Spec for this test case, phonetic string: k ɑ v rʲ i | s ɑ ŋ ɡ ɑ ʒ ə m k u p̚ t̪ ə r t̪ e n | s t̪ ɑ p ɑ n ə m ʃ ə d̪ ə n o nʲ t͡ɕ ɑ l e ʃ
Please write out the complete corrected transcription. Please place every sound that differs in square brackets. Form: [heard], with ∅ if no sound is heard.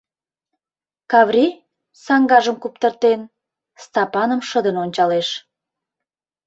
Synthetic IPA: k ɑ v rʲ i | s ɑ ŋ ɡ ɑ ʒ ə m k u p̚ t̪ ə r t̪ e n | s t̪ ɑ p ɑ n ə m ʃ ə d̪ ə n o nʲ t͡ɕ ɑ l e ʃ